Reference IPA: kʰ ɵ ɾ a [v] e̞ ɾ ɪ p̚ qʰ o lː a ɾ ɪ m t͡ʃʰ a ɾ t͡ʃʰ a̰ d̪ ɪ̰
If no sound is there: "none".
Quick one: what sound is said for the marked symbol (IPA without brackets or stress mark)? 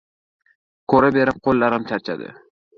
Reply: b